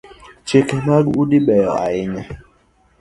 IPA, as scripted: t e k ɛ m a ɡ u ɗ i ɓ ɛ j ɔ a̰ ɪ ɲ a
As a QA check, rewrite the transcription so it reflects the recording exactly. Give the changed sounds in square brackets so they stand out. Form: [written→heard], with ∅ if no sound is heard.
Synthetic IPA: [t→t͡ʃ] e k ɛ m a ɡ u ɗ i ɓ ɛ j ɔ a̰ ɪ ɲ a